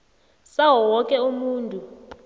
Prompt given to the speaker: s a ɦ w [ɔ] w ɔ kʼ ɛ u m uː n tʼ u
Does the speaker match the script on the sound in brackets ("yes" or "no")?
yes